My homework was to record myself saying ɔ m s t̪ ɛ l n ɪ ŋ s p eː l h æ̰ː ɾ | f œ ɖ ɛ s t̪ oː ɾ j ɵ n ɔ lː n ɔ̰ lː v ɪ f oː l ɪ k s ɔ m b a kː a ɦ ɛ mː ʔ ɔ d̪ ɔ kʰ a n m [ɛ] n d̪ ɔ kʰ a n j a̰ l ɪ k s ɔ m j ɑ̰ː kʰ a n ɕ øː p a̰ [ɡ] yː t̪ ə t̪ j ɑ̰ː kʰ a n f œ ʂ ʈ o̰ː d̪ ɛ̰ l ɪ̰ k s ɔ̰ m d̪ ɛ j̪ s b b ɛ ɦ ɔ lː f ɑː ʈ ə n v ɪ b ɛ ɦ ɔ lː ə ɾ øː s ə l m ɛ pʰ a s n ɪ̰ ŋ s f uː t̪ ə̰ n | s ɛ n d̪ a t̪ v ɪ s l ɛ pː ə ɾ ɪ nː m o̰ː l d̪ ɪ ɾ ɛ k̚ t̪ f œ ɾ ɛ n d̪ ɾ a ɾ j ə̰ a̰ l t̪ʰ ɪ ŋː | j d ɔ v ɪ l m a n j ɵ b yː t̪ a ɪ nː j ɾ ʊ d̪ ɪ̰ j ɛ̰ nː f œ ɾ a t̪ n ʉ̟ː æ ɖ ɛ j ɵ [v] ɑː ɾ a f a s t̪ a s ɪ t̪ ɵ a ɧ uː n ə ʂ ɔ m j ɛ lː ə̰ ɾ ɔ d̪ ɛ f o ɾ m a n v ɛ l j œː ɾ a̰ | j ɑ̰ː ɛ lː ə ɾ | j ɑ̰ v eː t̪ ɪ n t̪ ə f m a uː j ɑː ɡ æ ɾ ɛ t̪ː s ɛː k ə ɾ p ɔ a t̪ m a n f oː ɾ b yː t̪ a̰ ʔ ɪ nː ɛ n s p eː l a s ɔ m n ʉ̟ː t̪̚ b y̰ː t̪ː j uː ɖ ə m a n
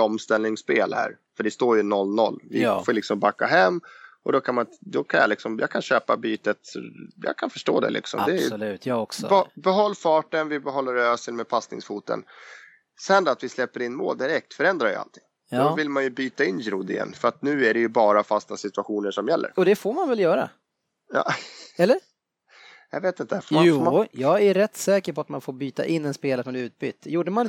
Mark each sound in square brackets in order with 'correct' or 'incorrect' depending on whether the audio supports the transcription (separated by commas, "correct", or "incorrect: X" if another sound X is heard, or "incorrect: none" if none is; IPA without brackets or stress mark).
incorrect: a, incorrect: b, incorrect: b